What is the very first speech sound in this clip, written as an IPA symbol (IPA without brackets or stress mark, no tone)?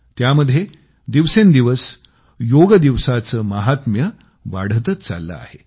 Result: t̪